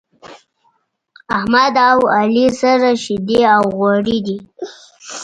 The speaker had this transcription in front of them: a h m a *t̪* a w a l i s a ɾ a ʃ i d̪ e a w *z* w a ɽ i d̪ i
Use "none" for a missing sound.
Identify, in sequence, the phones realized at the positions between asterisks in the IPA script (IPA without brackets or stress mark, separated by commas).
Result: d̪, ɣ